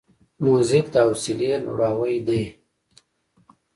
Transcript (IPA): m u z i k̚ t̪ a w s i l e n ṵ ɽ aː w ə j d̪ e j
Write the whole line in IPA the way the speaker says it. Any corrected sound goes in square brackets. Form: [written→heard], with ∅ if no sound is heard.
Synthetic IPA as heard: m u z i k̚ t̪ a w s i l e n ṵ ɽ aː w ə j d̪ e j

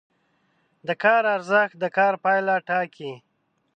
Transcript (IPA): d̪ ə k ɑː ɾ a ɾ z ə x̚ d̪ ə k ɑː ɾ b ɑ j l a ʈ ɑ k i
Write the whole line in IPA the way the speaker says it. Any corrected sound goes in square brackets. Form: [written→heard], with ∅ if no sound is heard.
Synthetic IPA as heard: d̪ ə k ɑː ɾ a ɾ z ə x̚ d̪ ə k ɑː ɾ [b→p] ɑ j l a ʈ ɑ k i

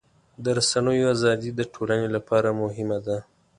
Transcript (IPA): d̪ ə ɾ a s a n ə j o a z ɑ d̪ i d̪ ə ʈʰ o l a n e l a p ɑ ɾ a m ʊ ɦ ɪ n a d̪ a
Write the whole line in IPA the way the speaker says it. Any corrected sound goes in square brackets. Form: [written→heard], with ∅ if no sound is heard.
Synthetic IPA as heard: d̪ ə ɾ a s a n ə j o a z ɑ d̪ i d̪ ə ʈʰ o l a n e l a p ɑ ɾ a m ʊ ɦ ɪ [n→m] a d̪ a

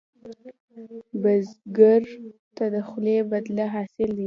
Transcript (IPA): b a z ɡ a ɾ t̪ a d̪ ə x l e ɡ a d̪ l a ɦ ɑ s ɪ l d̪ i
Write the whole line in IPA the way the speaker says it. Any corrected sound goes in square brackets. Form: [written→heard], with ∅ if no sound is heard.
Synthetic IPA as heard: b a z ɡ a ɾ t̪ a d̪ ə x l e [ɡ→b] a d̪ l a ɦ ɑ s ɪ l d̪ i

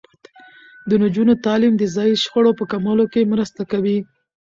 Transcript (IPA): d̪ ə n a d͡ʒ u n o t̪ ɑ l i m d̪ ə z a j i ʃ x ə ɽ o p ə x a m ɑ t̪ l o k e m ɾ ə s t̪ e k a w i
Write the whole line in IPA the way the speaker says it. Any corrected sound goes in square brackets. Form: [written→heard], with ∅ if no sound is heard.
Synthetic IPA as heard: d̪ ə n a d͡ʒ u n o t̪ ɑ l i m d̪ ə z [a→ɑ] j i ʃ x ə ɽ o p ə [x→k] a m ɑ [t̪→∅] l o k e m ɾ ə s t̪ [e→a] k a w i

